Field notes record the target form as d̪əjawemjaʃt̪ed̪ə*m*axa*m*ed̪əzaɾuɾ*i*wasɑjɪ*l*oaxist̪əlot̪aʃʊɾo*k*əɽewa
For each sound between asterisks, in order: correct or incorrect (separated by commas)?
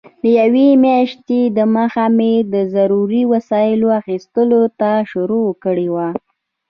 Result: correct, correct, correct, correct, correct